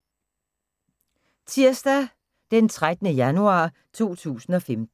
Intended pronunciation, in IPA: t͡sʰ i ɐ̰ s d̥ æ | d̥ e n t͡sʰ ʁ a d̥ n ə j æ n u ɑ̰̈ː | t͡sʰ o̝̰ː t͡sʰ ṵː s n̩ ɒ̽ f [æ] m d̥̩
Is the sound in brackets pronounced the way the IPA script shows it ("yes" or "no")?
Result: no